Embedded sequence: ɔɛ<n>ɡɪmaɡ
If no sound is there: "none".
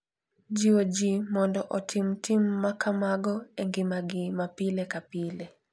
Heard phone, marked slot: ŋ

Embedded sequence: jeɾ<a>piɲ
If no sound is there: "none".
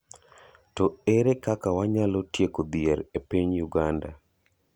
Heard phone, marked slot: e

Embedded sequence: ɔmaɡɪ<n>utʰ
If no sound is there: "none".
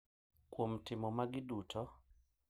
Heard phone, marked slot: d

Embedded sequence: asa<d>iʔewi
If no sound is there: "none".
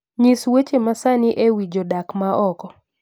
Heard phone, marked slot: n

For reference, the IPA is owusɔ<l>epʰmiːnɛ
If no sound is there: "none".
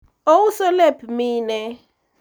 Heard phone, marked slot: l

